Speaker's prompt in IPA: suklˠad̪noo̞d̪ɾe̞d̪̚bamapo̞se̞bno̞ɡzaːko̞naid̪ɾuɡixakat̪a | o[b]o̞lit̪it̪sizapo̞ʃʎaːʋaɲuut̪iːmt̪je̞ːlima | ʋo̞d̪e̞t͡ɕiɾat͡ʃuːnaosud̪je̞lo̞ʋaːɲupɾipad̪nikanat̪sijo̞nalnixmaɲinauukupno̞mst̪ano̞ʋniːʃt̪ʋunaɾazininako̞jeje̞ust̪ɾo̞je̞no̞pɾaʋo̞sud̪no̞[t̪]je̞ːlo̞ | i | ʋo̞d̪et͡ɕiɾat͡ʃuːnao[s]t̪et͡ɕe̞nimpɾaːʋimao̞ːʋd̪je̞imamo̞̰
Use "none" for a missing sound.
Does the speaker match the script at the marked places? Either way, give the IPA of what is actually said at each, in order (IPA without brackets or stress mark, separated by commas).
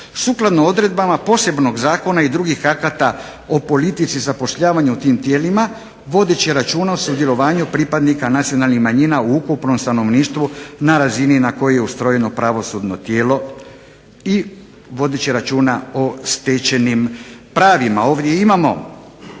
p, t̪, s